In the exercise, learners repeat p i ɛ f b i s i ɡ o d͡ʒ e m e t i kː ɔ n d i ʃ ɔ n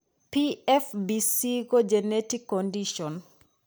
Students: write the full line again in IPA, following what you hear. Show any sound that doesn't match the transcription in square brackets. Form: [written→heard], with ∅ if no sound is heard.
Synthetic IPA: p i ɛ f b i s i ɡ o d͡ʒ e [m→n] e t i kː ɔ n d i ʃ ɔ n